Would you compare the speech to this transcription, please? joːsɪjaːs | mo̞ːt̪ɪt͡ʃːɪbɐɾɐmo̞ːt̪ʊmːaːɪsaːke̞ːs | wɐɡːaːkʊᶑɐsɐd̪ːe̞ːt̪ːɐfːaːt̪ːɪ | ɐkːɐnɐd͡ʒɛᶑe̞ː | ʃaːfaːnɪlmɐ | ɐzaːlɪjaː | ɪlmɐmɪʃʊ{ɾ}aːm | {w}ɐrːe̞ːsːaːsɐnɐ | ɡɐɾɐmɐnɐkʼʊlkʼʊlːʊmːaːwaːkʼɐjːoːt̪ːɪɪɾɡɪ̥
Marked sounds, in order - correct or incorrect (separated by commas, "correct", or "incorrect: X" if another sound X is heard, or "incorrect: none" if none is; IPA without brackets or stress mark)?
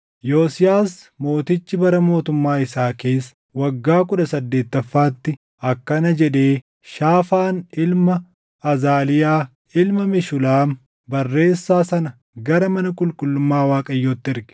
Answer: incorrect: l, incorrect: b